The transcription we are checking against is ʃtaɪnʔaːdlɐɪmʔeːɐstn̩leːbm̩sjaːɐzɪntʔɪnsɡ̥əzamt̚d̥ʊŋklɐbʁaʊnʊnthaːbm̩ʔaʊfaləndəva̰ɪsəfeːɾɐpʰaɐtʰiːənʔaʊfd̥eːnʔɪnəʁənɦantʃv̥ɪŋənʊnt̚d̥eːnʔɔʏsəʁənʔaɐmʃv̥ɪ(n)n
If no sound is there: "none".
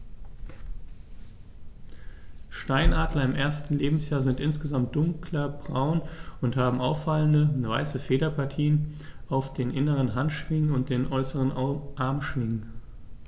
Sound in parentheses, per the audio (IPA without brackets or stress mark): ŋ